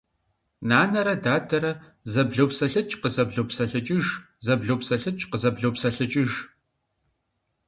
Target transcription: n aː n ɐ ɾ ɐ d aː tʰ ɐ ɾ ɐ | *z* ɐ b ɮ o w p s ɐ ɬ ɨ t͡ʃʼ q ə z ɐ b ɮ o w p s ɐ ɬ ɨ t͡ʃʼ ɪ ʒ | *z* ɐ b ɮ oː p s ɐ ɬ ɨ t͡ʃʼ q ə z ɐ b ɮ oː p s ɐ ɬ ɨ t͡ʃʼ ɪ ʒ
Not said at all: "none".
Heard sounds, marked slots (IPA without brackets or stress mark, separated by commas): z, z